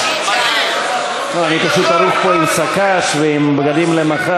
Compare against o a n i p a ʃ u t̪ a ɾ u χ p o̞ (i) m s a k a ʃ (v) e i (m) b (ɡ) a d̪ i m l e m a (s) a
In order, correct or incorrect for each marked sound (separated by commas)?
correct, correct, correct, correct, incorrect